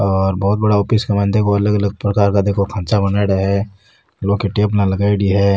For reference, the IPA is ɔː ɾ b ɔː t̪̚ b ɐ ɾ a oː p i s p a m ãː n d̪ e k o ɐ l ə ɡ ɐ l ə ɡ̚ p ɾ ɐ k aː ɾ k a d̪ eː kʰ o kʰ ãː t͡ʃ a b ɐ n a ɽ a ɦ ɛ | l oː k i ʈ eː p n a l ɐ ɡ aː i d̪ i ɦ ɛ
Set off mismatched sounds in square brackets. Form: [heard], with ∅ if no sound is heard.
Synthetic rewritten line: ɔː ɾ b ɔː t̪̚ b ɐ [ɽ] a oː p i s [k] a m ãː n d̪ e k o ɐ l ə ɡ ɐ l ə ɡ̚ p ɾ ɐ k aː ɾ k a d̪ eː kʰ o kʰ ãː t͡ʃ a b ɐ n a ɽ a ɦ ɛ | l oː k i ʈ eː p n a l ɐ ɡ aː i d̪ i ɦ ɛ